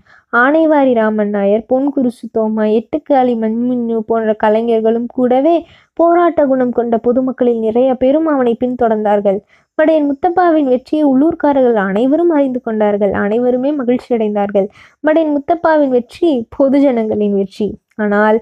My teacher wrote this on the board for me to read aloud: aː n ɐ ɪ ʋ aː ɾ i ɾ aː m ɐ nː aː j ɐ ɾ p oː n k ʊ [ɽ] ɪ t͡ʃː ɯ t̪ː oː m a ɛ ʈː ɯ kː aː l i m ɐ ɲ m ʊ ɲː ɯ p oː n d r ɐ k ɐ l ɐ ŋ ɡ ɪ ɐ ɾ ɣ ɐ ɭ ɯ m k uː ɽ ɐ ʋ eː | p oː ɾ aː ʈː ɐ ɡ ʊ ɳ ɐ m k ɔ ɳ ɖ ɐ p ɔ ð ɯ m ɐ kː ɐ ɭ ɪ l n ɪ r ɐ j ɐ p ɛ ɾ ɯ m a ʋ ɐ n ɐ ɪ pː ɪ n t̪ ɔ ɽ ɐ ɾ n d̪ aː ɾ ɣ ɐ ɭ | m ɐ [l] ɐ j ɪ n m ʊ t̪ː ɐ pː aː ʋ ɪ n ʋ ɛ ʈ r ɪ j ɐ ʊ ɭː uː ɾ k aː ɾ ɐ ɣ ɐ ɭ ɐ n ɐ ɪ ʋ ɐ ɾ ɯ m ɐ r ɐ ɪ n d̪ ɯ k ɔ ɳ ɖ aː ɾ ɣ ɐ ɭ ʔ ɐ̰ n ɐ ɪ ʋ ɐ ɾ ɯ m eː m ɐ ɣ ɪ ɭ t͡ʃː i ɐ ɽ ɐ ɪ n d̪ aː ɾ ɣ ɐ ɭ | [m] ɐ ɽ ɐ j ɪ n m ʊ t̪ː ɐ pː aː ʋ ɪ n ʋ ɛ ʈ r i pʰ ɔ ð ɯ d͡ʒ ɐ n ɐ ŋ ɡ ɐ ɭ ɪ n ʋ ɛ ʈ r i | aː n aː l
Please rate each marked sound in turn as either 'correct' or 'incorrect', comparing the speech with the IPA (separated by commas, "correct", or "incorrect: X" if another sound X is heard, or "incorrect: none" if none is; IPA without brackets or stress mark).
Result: incorrect: ɾ, incorrect: ɽ, correct